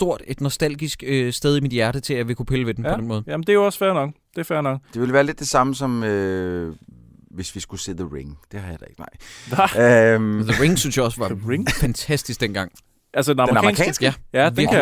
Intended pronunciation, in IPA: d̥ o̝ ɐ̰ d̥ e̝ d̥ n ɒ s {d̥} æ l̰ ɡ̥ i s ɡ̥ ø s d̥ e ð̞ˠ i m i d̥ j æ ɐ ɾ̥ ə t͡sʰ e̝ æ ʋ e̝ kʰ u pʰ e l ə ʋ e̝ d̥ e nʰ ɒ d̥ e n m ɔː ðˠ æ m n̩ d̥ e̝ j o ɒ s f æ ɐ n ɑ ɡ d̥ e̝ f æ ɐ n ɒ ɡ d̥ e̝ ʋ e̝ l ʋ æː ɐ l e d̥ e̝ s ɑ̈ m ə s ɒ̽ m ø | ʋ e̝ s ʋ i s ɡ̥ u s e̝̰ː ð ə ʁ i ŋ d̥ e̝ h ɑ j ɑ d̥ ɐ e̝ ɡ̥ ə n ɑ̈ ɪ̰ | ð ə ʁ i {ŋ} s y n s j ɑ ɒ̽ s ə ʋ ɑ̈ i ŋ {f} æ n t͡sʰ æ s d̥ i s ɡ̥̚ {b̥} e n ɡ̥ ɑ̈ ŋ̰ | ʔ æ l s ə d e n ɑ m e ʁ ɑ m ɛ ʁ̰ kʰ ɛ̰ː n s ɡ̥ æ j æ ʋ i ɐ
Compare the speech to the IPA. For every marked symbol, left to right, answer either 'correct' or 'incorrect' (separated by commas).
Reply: correct, correct, correct, incorrect